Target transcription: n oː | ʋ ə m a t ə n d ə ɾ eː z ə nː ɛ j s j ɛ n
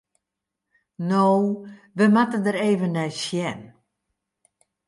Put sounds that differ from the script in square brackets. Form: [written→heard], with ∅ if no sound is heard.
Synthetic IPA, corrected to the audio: n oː | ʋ ə m a t ə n d ə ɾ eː [z→v] ə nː ɛ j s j ɛ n